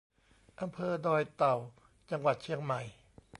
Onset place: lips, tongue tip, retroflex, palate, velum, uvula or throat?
throat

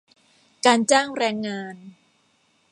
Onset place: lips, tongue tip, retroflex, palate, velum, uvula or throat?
velum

